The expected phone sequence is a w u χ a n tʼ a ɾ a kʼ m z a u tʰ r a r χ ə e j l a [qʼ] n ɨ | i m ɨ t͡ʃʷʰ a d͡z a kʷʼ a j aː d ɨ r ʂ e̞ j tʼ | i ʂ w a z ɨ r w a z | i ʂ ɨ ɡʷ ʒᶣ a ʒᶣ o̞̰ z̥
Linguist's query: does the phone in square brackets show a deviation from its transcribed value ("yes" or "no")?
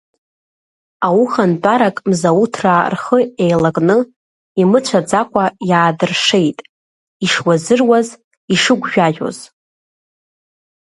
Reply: yes